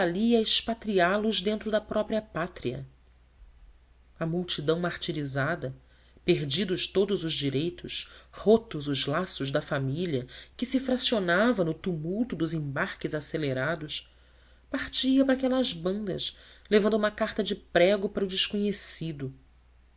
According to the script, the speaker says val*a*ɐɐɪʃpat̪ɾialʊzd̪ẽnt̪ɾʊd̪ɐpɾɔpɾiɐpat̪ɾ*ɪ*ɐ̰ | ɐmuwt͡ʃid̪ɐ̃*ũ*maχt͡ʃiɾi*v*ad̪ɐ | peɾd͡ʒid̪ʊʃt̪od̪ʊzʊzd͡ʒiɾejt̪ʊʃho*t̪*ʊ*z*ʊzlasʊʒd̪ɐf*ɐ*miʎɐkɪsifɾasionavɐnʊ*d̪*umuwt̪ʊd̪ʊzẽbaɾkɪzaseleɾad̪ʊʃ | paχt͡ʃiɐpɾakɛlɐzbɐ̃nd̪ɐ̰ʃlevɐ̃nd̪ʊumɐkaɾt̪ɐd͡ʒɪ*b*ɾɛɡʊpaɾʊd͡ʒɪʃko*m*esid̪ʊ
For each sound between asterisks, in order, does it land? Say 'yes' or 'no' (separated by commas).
no, no, no, no, yes, yes, no, no, no, no